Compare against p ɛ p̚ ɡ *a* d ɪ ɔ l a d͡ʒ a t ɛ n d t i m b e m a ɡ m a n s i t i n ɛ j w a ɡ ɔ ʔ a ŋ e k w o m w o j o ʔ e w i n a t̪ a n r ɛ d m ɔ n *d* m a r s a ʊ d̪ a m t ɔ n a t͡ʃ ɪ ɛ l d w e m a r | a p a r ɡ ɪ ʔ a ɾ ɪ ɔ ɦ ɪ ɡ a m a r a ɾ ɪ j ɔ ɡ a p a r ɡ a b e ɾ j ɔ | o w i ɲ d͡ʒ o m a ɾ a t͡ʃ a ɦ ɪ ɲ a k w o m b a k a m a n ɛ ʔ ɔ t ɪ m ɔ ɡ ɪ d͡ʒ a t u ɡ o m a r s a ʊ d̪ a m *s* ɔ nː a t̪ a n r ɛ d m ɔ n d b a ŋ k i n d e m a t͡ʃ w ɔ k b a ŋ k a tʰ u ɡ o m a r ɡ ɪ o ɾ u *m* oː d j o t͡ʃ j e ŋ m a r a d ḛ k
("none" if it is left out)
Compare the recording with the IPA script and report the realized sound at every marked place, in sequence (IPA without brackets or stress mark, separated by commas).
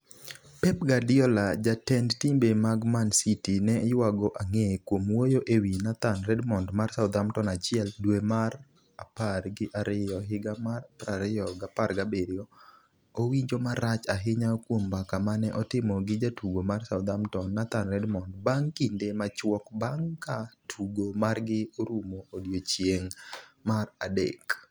a, d, t, m